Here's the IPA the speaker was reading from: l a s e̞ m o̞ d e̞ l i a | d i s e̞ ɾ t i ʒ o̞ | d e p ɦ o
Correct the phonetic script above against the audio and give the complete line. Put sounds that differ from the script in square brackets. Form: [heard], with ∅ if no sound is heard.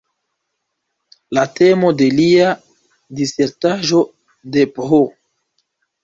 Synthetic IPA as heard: l a [t] e̞ m o̞ d e̞ l i a | d i s e̞ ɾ t [a] ʒ o̞ | d e p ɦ o